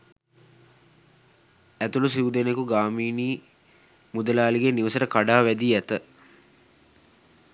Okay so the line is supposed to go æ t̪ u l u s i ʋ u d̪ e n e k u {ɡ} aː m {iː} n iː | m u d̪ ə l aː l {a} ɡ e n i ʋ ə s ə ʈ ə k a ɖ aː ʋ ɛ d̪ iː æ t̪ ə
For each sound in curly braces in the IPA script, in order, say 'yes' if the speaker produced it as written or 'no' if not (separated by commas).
yes, yes, no